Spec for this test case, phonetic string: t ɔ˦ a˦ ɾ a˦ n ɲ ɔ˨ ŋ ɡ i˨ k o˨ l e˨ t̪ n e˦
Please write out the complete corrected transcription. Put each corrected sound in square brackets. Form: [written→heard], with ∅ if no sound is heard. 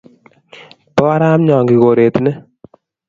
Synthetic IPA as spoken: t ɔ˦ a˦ ɾ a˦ [n→m] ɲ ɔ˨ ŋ ɡ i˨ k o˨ [l→ɾ] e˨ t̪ n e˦